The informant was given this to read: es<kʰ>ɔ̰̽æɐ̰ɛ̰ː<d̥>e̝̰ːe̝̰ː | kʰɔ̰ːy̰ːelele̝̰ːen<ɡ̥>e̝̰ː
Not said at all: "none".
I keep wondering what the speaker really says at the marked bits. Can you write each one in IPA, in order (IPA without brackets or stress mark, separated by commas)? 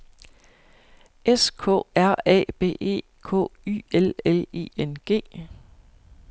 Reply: kʰ, b̥, ɡ̥